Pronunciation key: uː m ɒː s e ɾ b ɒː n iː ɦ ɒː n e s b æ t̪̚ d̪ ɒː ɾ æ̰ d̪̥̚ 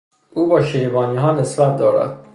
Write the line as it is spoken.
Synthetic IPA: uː b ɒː ʃ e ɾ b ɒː n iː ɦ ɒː n e s b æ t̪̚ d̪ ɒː ɾ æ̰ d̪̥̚